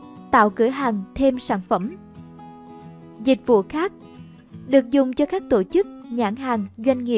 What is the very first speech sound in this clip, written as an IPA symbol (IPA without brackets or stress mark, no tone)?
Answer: t̪